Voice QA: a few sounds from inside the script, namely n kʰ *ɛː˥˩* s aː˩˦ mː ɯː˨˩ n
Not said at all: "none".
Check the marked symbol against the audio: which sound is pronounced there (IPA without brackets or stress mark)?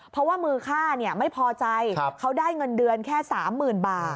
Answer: ɛː˥˩